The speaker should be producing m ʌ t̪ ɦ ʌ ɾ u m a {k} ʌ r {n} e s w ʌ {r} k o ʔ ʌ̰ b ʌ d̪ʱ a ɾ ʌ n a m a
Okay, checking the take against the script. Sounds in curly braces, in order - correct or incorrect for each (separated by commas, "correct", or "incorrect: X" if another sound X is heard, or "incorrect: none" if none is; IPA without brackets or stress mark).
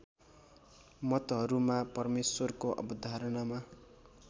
incorrect: p, incorrect: m, correct